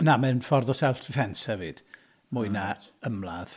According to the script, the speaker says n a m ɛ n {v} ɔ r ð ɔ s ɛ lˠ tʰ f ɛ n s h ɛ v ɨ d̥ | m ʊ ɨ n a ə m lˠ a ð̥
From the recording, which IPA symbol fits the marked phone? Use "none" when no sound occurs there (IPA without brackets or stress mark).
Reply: f